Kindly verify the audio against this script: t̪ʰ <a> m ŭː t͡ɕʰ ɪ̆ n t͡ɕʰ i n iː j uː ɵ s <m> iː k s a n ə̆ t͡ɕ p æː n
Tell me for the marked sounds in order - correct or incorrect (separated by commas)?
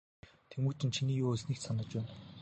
incorrect, incorrect